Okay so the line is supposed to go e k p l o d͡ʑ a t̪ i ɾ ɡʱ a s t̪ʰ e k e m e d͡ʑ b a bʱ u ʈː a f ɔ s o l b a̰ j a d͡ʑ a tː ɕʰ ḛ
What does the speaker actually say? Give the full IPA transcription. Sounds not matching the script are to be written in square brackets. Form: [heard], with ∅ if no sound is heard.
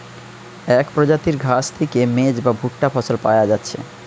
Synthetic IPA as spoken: [ɛ] k p [ɾ] o d͡ʑ a t̪ i ɾ ɡʱ a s t̪ʰ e k e m e d͡ʑ b a bʱ u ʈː a f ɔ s o l [p] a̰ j a d͡ʑ a tː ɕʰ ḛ